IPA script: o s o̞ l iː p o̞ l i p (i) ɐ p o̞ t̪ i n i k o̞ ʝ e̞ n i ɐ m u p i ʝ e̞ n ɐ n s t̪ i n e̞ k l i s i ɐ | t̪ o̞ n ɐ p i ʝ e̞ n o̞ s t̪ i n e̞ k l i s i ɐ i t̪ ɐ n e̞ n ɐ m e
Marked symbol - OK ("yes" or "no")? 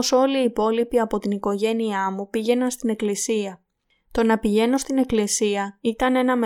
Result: yes